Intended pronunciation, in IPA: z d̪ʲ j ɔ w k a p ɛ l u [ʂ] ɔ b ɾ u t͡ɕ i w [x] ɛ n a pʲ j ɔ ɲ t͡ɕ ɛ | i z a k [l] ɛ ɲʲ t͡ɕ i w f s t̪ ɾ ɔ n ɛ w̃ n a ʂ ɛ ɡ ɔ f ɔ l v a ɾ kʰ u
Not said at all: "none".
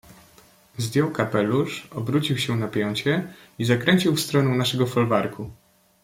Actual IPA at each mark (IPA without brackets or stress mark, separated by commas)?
ʂ, ɕ, ɾ